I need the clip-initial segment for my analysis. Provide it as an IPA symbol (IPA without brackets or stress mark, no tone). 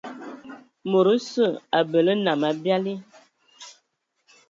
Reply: m